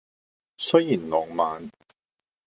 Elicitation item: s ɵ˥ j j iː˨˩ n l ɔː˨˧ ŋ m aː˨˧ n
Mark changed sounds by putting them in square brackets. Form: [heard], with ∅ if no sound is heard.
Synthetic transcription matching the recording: s ɵ˥ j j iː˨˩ n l ɔː˨˧ ŋ m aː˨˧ n